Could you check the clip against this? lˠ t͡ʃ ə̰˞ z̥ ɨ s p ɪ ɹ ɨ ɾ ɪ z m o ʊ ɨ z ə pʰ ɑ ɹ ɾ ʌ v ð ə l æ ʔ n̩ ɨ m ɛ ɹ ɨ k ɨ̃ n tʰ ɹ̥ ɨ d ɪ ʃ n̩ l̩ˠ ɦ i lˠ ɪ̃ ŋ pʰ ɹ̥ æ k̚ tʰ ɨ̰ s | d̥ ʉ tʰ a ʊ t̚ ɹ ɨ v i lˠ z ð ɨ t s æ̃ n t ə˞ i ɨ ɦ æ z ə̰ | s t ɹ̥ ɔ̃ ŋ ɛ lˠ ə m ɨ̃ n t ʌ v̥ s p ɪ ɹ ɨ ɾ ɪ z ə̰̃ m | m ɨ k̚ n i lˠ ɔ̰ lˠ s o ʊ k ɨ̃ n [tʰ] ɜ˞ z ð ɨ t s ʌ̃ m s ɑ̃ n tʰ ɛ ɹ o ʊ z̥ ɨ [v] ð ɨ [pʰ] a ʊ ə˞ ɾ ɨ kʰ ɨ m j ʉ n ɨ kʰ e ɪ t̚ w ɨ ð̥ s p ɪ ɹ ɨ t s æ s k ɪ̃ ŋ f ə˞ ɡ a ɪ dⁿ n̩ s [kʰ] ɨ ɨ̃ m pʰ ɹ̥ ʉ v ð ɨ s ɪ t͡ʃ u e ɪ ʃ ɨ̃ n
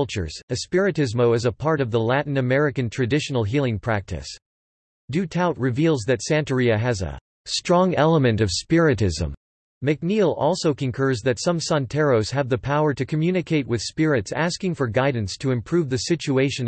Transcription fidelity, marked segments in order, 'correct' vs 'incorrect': incorrect: kʰ, correct, correct, incorrect: tʰ

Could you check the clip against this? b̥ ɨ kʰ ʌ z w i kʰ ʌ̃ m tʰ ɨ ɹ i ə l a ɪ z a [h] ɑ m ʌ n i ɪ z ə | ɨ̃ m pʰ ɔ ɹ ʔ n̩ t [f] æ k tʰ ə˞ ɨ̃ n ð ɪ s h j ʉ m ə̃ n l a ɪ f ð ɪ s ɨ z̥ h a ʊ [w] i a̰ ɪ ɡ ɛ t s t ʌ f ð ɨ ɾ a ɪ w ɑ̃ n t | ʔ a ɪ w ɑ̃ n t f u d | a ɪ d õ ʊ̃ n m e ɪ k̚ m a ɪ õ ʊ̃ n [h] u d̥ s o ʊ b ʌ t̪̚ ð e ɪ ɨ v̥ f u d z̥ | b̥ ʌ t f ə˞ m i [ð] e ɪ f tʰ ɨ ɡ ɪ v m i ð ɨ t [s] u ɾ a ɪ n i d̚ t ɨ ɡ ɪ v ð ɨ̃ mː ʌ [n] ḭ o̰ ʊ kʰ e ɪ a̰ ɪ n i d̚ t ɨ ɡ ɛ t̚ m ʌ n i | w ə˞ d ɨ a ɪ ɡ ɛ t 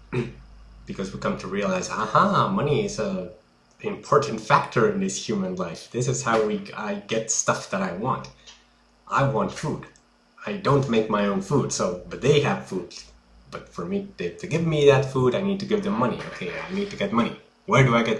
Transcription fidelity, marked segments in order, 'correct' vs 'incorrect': correct, correct, correct, incorrect: f, correct, incorrect: f, correct

